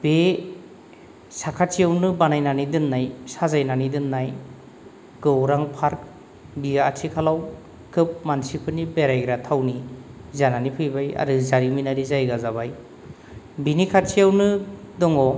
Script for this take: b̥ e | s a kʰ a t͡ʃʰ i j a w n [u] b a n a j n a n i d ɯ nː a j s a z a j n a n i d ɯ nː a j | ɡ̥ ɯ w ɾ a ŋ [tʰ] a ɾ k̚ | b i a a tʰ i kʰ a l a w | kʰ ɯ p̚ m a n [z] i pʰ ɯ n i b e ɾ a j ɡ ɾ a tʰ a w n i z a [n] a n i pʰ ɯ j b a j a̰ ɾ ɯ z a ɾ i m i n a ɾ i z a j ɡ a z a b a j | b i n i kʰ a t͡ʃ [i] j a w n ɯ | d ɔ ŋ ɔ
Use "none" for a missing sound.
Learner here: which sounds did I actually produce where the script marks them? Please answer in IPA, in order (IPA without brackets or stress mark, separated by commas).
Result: ɯ, pʰ, s, n, i